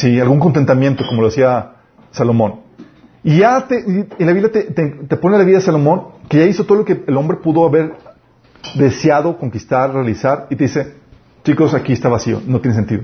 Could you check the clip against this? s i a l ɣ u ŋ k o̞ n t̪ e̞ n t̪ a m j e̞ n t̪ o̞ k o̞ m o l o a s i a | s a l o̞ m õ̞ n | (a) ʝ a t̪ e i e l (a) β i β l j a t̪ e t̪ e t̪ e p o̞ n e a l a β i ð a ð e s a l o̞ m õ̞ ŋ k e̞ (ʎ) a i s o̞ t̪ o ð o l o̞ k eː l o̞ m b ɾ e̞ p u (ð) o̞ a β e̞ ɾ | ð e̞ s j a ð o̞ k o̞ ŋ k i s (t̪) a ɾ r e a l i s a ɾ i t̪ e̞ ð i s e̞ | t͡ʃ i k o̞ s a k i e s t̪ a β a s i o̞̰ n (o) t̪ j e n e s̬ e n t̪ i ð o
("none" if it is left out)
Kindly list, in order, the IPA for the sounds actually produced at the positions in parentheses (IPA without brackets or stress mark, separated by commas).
i, a, ʝ, ð, t̪, o